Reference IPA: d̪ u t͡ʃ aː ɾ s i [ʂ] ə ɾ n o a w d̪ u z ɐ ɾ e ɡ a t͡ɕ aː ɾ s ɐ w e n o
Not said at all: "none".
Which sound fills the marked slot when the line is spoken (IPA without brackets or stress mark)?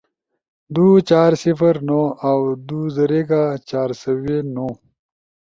f